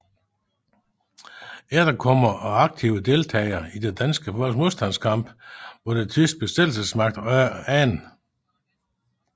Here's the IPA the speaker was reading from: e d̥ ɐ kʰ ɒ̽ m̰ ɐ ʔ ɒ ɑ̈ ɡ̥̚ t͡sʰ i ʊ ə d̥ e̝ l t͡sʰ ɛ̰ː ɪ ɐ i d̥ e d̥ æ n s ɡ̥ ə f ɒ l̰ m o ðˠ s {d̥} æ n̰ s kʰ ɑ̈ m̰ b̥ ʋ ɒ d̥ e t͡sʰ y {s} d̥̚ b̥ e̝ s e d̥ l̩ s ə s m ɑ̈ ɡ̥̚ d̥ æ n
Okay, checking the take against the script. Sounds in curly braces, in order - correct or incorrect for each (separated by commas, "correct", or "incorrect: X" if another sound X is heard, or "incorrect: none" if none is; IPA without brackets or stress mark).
correct, correct